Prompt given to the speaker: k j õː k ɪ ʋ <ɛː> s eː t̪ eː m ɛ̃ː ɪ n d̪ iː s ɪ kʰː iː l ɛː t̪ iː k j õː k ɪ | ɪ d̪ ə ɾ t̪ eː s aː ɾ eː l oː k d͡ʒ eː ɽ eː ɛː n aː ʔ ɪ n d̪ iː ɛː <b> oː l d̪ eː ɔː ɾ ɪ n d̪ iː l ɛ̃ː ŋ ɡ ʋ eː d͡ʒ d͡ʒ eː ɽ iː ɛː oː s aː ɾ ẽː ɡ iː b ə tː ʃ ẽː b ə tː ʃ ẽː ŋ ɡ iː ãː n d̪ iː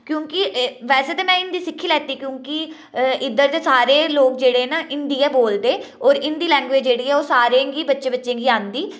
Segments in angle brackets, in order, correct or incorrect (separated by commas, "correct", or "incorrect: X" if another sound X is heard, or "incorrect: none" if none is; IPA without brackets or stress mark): correct, correct